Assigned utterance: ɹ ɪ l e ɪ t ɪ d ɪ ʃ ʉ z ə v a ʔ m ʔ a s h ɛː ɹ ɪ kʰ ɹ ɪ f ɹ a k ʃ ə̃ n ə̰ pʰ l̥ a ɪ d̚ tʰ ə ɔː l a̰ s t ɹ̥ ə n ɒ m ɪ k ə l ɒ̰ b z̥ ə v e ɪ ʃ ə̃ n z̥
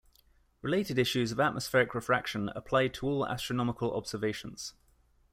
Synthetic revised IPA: ɹ ɪ l e ɪ t ɪ d ɪ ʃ ʉ z ə v a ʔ m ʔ ə s f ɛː ɹ ɪ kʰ ɹ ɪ f ɹ a k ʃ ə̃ n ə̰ pʰ l̥ a ɪ d̚ tʰ ə ɔː l a̰ s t ɹ̥ ə n ɒ m ɪ k ə l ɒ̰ b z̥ ə v e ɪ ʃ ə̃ n z̥